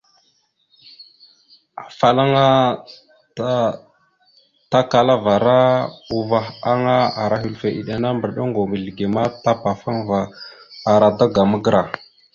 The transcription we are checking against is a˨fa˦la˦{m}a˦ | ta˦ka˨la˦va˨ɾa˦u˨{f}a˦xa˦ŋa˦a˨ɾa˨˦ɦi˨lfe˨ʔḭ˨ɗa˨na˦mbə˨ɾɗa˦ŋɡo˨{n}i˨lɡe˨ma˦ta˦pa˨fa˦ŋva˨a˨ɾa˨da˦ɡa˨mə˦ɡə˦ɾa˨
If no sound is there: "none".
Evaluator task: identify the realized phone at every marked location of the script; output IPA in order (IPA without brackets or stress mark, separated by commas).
ŋ, v, m